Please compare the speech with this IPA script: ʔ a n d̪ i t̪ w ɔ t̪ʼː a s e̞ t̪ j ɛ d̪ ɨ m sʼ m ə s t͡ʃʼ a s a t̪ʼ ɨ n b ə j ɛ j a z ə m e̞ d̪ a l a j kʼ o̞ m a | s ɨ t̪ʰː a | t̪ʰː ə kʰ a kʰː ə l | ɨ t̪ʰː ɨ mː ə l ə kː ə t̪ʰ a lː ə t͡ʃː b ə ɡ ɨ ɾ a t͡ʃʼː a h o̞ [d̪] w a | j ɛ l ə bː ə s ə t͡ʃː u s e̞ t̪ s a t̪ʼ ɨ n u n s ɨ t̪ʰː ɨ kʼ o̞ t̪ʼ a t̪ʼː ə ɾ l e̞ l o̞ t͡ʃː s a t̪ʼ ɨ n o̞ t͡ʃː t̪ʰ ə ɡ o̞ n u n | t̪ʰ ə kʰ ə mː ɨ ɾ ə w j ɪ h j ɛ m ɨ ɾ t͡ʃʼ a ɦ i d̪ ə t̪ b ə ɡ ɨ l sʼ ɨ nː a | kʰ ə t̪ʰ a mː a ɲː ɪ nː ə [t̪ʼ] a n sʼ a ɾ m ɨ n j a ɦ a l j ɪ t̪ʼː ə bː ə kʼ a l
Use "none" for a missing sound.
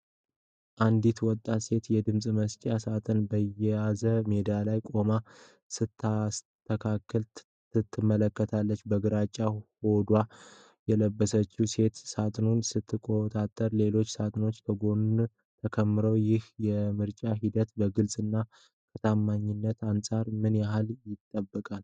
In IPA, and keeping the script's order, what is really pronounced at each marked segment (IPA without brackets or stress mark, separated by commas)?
d̪, t̪